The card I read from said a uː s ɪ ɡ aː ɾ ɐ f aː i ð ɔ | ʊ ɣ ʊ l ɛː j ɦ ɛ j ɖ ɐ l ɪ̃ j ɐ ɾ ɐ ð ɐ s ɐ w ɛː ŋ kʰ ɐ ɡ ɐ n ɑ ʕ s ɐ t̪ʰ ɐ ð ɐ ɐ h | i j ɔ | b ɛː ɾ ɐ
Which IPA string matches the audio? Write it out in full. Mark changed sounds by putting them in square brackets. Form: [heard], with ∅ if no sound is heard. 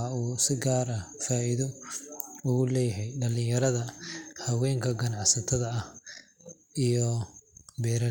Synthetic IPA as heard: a uː s ɪ ɡ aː ɾ ɐ f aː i ð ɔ | ʊ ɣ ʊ l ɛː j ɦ ɛ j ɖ ɐ l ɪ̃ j ɐ ɾ ɐ ð ɐ [h] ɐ w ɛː ŋ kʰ ɐ ɡ ɐ n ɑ ʕ s ɐ t̪ʰ ɐ ð ɐ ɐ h | i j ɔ | b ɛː ɾ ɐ